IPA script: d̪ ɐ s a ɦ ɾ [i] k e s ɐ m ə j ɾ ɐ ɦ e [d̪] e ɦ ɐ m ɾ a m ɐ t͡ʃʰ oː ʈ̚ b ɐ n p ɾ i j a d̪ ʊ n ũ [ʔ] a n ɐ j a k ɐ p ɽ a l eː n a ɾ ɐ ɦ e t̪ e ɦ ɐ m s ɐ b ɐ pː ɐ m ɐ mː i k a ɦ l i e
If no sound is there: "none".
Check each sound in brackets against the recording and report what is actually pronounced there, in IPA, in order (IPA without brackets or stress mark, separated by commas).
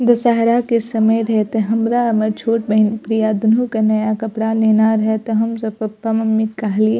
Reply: a, t̪, k